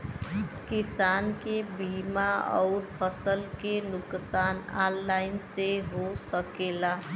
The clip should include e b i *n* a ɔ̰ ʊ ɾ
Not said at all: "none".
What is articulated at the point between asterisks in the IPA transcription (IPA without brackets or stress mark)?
m